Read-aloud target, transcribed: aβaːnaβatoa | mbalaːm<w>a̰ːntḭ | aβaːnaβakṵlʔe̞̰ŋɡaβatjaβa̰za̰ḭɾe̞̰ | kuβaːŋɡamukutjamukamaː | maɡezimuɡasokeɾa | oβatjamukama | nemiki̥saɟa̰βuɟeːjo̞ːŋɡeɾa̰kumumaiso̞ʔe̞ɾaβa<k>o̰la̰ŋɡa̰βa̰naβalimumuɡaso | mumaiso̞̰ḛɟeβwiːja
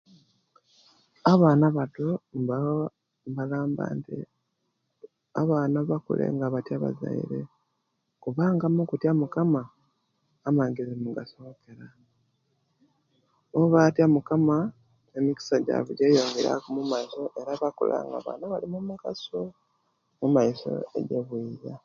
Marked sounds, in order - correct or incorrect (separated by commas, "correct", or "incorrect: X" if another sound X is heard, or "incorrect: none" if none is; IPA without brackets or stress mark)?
incorrect: b, correct